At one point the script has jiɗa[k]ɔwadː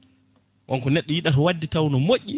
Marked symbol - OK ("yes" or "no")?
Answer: no